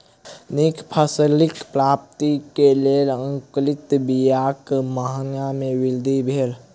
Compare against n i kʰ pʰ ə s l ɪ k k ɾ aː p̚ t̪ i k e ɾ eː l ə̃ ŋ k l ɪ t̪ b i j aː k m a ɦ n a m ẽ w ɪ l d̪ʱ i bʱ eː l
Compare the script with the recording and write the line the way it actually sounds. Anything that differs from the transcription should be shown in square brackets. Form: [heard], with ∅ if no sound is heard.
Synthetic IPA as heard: n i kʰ pʰ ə s l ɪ k [p] ɾ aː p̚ t̪ i k e [l] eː l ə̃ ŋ k l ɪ t̪ b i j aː k m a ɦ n a m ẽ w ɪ l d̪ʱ i bʱ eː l